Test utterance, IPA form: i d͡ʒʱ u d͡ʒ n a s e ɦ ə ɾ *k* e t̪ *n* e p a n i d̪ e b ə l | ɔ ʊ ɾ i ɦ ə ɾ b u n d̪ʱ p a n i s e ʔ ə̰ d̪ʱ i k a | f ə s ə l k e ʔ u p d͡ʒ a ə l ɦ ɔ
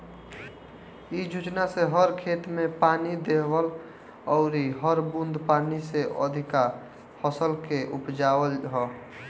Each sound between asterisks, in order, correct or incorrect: incorrect: kʰ, incorrect: m

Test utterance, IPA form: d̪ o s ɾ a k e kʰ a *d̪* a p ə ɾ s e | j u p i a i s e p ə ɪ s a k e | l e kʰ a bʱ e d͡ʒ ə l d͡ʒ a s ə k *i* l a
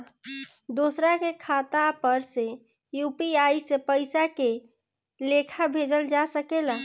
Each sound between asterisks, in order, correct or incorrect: incorrect: t̪, incorrect: e

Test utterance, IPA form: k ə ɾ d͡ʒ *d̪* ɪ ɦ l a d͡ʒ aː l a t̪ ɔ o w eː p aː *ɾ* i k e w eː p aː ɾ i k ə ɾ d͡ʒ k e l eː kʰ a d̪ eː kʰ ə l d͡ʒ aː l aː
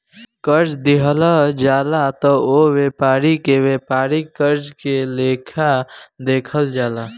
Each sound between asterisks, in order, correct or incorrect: correct, correct

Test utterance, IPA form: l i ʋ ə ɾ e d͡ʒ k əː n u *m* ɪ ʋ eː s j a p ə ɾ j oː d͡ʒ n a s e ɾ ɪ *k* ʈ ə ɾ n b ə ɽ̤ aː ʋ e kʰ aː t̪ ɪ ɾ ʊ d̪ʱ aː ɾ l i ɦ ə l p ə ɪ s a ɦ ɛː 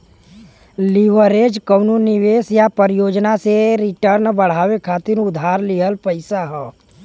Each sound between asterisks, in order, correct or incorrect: incorrect: n, incorrect: none

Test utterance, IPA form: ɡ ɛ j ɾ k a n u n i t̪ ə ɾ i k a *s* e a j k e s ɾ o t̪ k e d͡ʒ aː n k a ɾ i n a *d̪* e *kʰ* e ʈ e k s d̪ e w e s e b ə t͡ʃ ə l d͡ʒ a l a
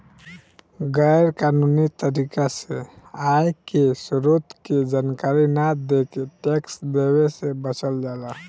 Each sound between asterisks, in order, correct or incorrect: correct, correct, incorrect: k

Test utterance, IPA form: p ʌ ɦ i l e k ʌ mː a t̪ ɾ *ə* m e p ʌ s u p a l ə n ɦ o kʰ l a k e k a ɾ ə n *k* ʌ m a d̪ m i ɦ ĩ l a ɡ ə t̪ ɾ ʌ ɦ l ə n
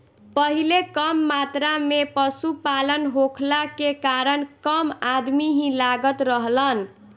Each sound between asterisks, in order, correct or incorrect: incorrect: a, correct

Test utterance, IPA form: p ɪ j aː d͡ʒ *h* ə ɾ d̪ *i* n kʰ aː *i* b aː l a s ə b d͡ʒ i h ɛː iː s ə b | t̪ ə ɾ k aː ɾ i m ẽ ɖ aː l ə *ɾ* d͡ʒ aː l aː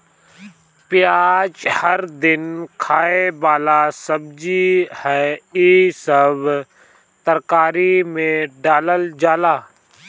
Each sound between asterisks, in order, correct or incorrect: correct, incorrect: ɪ, incorrect: e, incorrect: l

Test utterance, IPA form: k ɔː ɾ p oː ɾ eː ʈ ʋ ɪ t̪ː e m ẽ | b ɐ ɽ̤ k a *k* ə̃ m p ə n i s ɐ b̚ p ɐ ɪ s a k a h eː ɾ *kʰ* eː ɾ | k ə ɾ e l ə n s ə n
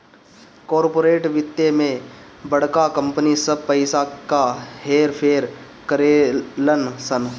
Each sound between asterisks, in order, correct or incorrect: correct, incorrect: pʰ

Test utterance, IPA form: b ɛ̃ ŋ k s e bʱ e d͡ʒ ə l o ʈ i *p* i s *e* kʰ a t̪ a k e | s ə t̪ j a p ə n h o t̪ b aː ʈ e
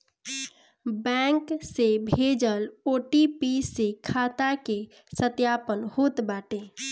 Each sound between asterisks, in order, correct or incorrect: correct, correct

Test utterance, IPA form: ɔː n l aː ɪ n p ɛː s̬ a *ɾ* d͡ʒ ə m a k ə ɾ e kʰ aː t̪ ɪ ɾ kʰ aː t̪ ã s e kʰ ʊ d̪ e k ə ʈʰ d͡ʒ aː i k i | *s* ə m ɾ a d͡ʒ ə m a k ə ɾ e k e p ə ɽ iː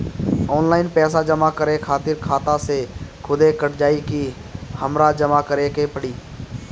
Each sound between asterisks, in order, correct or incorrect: incorrect: none, incorrect: h

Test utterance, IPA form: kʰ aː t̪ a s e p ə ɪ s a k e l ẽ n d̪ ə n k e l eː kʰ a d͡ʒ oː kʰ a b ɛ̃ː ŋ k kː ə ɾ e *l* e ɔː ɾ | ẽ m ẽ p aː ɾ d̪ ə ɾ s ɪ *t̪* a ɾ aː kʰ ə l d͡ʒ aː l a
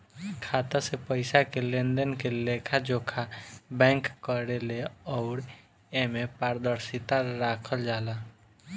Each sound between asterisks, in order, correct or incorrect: correct, correct

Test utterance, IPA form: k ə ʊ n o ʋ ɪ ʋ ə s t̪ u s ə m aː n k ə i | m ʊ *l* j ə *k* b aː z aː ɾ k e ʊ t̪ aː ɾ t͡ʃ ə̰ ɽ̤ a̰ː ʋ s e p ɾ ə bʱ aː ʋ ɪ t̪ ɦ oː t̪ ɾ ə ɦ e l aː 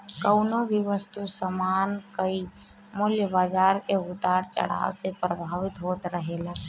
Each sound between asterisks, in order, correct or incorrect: correct, incorrect: none

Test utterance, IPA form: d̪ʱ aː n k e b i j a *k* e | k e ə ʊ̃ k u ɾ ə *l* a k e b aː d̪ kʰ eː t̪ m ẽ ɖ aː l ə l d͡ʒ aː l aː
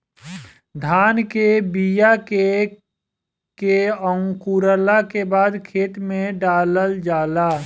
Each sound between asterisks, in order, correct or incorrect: correct, correct

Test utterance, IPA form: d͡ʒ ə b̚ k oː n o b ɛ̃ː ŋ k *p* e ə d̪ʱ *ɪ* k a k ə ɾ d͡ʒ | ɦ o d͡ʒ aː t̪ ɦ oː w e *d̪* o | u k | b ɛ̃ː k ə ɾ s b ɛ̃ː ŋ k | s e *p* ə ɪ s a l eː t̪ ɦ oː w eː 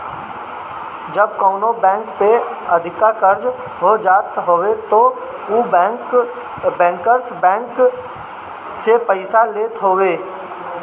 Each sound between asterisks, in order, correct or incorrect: correct, correct, incorrect: t̪, correct

